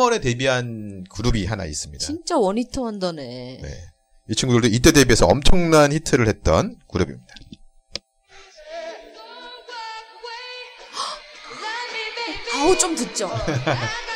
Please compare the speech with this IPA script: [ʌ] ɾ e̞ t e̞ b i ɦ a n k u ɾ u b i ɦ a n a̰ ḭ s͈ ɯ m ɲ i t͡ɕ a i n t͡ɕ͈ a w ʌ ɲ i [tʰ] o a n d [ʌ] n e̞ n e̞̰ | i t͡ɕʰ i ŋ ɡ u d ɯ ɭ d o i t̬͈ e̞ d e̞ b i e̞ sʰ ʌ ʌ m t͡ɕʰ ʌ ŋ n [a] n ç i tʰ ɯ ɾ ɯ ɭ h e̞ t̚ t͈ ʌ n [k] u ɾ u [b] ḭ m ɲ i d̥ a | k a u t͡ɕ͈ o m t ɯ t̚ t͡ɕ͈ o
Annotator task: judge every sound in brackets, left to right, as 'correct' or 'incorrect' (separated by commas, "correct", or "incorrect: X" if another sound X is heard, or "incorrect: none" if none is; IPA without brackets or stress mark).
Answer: correct, correct, correct, correct, correct, correct